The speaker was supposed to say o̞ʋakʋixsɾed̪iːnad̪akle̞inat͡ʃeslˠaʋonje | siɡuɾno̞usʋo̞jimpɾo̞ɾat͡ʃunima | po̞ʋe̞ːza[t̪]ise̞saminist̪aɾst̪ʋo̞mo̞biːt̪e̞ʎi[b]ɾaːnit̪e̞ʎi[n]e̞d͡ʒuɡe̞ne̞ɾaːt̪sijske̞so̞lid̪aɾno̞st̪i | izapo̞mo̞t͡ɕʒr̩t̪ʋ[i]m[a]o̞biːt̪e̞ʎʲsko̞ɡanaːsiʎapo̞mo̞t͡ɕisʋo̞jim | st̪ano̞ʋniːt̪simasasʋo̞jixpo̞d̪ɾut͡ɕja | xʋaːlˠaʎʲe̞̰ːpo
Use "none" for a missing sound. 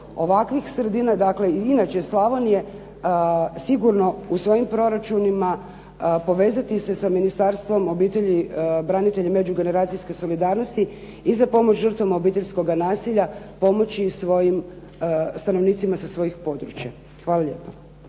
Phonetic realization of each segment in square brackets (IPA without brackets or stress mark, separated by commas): t̪, b, m, a, a